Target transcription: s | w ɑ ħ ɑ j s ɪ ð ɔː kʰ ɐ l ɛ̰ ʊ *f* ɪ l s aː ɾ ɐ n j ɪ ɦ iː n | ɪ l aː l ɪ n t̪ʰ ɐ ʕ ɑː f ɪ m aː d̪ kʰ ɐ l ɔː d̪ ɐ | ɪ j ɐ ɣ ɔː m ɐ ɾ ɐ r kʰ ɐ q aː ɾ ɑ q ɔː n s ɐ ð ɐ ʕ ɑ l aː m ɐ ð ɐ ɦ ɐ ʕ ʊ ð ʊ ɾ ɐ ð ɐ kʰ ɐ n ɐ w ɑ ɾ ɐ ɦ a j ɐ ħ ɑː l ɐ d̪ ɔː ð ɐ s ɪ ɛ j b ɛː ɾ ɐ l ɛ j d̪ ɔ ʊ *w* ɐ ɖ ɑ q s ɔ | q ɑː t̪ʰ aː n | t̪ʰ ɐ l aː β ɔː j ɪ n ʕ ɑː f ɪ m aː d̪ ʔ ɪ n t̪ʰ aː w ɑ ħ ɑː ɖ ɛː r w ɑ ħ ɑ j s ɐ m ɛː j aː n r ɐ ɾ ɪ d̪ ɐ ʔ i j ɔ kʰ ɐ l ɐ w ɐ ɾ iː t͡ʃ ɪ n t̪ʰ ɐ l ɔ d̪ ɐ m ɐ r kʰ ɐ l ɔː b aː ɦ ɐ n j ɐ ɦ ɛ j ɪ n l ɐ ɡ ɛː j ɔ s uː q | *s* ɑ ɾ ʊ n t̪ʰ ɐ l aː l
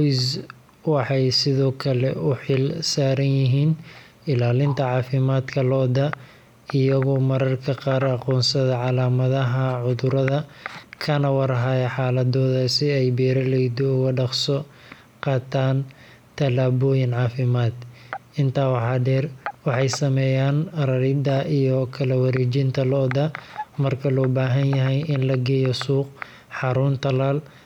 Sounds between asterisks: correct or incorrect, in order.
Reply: incorrect: ħ, incorrect: ɣ, incorrect: ħ

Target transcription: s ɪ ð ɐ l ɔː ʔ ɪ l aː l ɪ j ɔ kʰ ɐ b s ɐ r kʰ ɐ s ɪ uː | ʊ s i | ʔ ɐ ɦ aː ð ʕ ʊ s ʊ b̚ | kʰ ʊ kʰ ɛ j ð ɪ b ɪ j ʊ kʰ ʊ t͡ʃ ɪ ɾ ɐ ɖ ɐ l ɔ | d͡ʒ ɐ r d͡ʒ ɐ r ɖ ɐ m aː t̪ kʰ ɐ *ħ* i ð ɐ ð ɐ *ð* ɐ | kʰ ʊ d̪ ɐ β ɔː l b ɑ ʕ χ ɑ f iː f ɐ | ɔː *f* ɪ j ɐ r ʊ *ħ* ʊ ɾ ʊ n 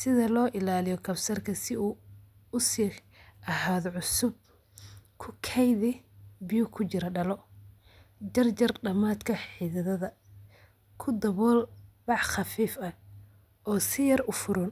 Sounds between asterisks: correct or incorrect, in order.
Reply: correct, correct, incorrect: s, incorrect: f

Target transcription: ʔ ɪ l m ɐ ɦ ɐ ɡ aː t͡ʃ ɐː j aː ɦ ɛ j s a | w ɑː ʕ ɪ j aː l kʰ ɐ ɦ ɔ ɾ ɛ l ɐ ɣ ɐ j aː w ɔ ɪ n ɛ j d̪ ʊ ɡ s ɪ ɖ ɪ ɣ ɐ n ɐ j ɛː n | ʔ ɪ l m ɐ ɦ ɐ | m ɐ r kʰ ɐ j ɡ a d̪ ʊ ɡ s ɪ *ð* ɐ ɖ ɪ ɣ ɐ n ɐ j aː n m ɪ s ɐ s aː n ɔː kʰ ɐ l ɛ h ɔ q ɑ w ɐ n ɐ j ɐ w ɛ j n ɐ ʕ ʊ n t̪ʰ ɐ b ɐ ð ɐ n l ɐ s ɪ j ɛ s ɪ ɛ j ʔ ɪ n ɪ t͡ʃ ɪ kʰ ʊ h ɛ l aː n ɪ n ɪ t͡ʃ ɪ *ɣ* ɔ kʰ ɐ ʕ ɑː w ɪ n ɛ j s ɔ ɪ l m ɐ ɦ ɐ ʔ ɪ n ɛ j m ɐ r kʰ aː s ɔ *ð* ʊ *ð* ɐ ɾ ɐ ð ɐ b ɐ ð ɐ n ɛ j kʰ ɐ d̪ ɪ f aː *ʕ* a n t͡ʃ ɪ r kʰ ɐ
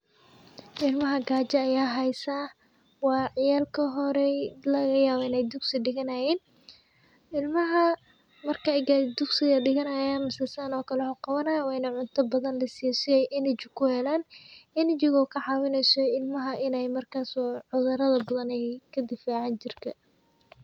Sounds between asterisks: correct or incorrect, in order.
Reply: incorrect: ɣ, correct, incorrect: ʕ, correct, correct

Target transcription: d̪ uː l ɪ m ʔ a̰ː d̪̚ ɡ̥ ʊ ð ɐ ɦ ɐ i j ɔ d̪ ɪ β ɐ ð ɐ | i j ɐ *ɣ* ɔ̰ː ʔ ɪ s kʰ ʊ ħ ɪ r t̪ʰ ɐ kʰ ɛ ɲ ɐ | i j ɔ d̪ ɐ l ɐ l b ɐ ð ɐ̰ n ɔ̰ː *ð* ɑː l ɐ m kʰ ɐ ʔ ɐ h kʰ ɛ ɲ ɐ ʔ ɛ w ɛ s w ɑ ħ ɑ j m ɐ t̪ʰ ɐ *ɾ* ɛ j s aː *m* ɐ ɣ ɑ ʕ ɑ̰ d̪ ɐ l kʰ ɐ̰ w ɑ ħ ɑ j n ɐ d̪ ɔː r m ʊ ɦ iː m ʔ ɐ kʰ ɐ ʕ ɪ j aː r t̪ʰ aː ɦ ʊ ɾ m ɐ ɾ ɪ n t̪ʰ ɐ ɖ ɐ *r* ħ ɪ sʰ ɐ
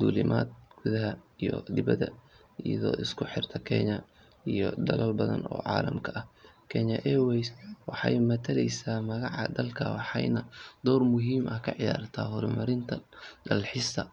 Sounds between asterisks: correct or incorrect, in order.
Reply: incorrect: ð, incorrect: ʕ, incorrect: l, correct, incorrect: l

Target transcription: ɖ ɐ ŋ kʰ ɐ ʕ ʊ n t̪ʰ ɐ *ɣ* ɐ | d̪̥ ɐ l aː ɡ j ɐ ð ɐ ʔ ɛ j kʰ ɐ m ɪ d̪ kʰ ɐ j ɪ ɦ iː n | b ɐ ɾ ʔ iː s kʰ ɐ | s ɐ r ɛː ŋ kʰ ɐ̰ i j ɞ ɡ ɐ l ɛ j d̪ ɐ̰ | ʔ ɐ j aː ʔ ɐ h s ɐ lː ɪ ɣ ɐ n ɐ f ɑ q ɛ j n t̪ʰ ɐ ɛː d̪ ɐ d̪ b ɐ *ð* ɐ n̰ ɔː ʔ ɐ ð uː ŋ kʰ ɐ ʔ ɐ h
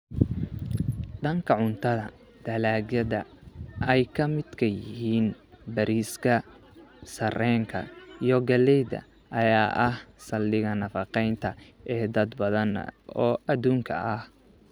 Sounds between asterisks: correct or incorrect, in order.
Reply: incorrect: ð, correct

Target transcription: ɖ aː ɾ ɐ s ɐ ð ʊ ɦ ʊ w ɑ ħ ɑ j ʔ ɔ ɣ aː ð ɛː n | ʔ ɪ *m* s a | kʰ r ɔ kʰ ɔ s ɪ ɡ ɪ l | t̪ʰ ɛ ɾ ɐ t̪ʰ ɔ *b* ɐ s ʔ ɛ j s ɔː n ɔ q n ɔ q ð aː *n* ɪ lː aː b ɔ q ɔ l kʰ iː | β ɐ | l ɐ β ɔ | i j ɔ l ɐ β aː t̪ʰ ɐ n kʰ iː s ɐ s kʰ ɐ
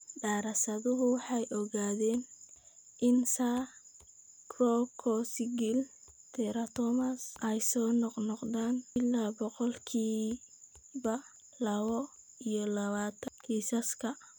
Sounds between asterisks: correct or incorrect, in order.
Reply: incorrect: n, incorrect: m, correct

